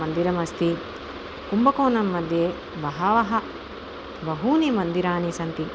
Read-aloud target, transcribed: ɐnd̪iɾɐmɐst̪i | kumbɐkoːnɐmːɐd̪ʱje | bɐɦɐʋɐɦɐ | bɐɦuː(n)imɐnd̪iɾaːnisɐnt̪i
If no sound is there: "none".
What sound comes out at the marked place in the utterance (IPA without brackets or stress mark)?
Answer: n